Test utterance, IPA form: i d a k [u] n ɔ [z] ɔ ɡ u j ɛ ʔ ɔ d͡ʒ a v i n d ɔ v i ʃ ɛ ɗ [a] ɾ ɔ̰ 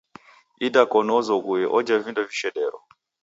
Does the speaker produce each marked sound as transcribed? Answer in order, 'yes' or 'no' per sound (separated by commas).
no, yes, no